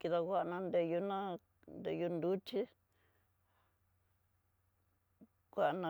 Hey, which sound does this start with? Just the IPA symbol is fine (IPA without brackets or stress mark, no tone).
k